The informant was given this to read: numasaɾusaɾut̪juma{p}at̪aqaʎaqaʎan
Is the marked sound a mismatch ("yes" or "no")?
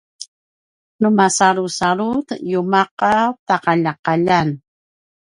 yes